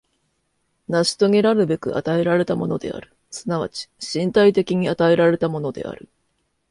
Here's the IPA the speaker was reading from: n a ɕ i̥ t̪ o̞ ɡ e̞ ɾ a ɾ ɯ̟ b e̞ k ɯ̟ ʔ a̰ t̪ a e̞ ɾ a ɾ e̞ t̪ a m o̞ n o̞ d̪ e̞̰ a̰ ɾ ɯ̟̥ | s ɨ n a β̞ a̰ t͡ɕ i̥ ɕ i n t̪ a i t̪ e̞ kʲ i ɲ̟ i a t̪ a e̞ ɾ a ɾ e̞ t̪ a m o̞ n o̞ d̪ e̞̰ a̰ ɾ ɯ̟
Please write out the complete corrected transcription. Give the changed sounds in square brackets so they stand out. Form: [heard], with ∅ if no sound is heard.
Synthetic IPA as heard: n a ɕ i̥ t̪ o̞ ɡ e̞ ɾ a ɾ ɯ̟ b e̞ k ɯ̟ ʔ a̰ t̪ a e̞ ɾ a ɾ e̞ t̪ a m o̞ n o̞ d̪ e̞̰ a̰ ɾ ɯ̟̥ | s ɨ n a β̞ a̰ t͡ɕ i̥ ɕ [ĩ] n t̪ a i t̪ e̞ kʲ i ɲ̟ i a t̪ a e̞ ɾ a ɾ e̞ t̪ a m o̞ n o̞ d̪ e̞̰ a̰ ɾ ɯ̟